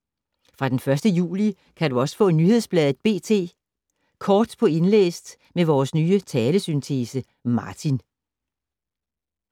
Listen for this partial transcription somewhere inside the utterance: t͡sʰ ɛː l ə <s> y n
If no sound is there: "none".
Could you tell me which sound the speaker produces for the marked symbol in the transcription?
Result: s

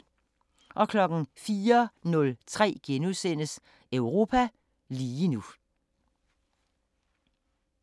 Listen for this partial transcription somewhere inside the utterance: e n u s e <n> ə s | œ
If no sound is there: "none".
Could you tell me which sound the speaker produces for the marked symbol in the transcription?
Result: n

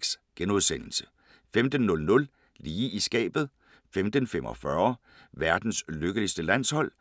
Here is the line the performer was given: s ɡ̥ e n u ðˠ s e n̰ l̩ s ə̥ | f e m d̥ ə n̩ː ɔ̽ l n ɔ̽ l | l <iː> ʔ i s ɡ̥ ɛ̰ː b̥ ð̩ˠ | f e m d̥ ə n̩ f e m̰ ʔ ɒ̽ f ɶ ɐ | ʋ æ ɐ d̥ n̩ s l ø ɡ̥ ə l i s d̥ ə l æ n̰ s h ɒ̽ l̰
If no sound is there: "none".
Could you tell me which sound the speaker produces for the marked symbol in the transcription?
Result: iː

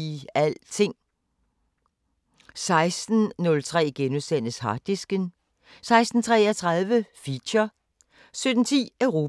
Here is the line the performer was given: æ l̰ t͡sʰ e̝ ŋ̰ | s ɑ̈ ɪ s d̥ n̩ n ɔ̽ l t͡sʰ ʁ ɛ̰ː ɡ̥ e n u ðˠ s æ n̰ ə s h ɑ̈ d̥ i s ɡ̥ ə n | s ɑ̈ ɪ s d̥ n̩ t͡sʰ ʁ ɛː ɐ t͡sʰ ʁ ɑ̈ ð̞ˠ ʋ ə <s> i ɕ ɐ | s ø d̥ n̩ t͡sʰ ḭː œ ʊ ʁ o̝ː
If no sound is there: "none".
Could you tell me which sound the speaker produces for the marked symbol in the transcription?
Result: f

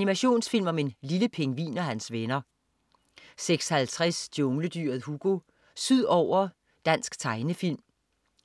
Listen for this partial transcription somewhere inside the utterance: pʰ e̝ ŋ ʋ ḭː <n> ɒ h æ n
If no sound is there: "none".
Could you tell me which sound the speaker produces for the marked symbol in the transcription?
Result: n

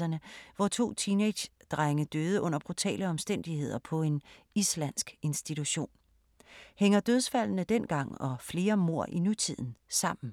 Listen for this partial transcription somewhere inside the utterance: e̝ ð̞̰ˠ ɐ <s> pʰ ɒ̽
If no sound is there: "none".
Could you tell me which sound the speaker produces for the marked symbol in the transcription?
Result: none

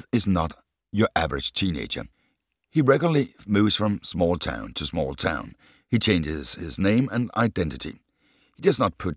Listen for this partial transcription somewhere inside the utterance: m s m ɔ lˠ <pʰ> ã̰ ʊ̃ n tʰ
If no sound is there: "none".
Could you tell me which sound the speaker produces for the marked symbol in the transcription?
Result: tʰ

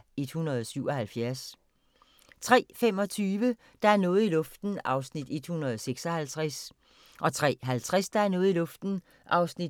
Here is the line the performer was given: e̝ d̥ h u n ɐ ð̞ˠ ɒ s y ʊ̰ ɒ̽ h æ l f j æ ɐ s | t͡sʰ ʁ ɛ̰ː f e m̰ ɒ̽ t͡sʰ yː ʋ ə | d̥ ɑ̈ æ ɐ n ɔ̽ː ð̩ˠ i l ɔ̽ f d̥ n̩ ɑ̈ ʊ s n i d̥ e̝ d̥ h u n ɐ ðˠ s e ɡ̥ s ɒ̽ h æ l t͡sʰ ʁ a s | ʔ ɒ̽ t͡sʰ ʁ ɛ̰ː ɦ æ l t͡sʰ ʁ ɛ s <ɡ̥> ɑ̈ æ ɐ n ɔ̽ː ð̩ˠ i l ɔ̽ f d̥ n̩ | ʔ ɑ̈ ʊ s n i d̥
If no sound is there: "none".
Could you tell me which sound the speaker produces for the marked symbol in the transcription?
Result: d̥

